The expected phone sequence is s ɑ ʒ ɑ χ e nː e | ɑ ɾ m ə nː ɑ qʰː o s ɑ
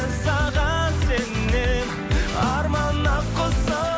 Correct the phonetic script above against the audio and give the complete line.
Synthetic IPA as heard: s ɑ ʁ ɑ s e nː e | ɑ ɾ m ɑ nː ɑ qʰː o s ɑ